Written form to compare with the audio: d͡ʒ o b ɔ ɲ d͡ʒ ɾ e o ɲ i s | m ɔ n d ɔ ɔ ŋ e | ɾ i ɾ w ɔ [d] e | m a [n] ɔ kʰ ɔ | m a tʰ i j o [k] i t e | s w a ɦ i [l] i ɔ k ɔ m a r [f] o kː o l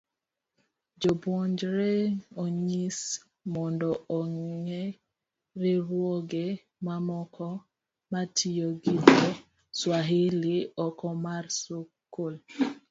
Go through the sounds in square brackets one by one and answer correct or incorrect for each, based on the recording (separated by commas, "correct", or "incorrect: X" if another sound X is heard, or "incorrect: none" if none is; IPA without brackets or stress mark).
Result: incorrect: ɡ, incorrect: m, incorrect: ɡ, correct, incorrect: s